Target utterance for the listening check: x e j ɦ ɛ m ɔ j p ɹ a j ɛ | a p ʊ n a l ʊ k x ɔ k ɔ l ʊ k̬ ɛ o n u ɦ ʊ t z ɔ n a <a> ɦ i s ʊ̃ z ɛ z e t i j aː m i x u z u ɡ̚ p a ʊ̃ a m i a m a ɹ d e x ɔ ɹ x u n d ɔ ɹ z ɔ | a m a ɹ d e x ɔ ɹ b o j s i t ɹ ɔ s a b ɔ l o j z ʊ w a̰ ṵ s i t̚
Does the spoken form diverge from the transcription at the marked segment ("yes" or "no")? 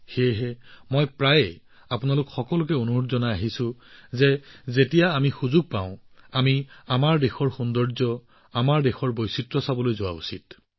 no